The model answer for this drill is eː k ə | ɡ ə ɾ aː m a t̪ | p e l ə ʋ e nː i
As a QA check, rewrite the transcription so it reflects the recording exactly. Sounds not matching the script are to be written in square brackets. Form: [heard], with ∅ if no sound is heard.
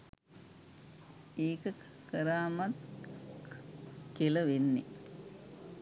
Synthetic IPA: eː k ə | [k] ə ɾ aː m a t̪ | [k] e l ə ʋ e nː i